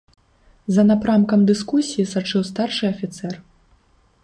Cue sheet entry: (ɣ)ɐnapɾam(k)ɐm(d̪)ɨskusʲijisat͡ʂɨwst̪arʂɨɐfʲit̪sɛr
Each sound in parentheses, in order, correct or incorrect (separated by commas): incorrect, correct, correct